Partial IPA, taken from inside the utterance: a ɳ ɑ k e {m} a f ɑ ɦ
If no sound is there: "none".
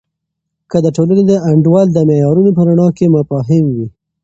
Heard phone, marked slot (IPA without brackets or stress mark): m